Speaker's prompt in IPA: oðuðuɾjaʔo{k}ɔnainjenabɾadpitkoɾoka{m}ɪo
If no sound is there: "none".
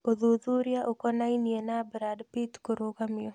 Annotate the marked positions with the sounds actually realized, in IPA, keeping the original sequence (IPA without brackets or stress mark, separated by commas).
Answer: k, m